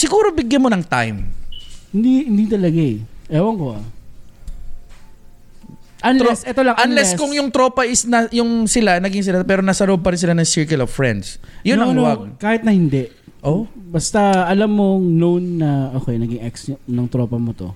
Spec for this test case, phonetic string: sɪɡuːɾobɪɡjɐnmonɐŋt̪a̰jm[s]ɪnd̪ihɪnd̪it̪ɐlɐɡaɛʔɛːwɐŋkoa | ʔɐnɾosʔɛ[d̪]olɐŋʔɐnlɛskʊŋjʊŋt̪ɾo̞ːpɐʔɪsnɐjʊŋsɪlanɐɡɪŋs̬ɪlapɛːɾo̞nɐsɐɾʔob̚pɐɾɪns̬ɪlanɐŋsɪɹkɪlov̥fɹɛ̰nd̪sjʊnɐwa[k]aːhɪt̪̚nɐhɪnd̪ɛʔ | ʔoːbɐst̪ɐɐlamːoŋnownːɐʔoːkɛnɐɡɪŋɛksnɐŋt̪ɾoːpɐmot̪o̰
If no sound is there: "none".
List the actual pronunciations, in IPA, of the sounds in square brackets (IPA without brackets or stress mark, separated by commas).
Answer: h, t̪, k